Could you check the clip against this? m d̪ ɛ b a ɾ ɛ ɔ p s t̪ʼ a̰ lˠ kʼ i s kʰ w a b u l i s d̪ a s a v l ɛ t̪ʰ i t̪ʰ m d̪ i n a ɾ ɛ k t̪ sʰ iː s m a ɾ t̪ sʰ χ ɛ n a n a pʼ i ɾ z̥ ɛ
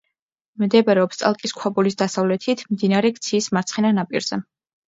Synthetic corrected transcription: m d̪ ɛ b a ɾ ɛ ɔ p s t̪ʼ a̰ lˠ kʼ i s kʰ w a b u l i s d̪ a s a v l ɛ t̪ʰ i t̪ʰ m d̪ i n a ɾ ɛ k t̪ sʰ iː s m a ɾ t̪ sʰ χ ɛ n a n a pʼ i ɾ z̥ ɛ